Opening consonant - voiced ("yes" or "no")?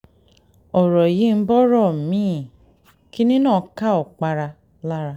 yes